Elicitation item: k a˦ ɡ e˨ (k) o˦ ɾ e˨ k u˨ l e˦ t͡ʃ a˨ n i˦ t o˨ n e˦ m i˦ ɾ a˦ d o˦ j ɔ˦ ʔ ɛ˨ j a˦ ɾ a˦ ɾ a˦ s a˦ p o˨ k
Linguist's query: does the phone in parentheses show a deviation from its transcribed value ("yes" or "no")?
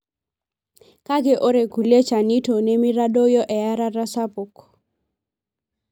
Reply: yes